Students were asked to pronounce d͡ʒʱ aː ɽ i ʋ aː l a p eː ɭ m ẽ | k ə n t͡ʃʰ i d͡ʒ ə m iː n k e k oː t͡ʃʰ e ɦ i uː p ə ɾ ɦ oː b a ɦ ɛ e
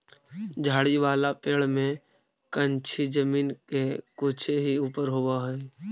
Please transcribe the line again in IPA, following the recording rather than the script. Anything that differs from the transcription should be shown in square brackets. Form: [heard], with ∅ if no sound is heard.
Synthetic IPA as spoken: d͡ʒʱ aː ɽ i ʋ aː l a p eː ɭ m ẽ | k ə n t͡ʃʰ i d͡ʒ ə m iː n k e k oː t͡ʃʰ e ɦ i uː p ə ɾ ɦ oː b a ɦ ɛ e